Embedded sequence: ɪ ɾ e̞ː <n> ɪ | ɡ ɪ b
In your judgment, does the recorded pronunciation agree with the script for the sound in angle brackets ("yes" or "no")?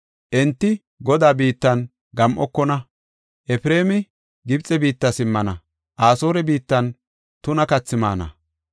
no